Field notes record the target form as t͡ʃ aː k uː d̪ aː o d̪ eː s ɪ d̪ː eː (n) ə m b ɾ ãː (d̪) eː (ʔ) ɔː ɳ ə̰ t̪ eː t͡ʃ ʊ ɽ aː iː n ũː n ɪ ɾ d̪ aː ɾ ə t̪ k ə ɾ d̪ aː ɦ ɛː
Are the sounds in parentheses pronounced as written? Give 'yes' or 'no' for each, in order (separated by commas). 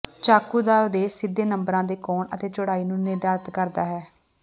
yes, yes, no